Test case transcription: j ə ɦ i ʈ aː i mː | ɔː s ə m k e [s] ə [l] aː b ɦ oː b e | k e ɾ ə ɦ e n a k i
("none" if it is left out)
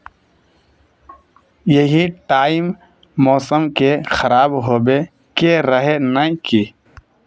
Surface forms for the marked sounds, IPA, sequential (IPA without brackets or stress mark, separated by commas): x, ɾ